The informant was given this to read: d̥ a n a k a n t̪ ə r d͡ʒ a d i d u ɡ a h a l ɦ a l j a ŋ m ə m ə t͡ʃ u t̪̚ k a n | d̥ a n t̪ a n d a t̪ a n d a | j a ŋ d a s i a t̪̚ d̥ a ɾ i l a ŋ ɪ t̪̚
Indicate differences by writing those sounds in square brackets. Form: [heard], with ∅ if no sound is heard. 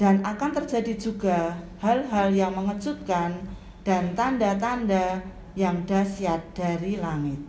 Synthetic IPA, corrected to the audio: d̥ a n a k a n t̪ ə r d͡ʒ a d i [d͡ʒ] u ɡ a h a l ɦ a l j a ŋ m ə [ŋ] ə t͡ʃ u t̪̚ k a n | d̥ a n t̪ a n d a t̪ a n d a | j a ŋ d a s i a t̪̚ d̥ a ɾ i l a ŋ ɪ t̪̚